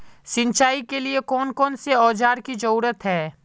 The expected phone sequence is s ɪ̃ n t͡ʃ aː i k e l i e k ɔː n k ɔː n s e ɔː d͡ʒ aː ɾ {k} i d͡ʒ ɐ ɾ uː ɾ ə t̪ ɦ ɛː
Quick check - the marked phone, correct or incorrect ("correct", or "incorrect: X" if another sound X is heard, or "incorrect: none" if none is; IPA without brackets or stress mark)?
correct